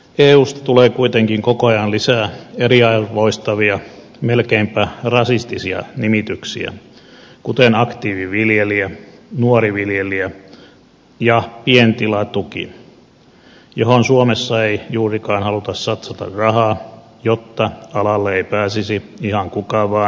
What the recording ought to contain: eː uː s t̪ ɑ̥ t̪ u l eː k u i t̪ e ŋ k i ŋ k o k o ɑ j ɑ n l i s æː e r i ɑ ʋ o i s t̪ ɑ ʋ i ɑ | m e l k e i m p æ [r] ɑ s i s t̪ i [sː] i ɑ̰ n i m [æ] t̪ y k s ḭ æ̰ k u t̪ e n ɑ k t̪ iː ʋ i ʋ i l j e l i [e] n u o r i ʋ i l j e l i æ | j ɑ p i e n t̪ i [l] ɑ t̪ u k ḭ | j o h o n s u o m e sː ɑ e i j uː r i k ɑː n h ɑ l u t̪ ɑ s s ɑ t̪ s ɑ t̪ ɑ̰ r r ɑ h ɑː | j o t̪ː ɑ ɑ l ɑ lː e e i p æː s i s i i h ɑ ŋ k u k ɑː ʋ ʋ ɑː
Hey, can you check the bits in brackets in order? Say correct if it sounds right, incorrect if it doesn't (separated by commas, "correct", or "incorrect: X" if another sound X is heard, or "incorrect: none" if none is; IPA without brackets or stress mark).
correct, incorrect: s, incorrect: i, incorrect: æ, correct